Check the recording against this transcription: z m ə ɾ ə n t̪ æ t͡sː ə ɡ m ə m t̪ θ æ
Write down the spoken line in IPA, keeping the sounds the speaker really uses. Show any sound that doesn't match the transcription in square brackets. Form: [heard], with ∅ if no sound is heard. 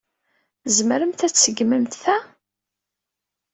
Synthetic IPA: z m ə ɾ ə [m] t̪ æ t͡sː ə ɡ m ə m t̪ θ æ